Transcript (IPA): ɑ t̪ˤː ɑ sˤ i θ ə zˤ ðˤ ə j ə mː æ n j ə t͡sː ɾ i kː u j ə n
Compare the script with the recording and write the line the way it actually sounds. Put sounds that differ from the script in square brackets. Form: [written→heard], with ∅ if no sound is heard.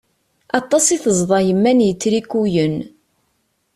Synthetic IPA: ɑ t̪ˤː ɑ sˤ i θ ə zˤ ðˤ [ə→ɑ] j ə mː æ n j ə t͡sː ɾ i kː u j ə n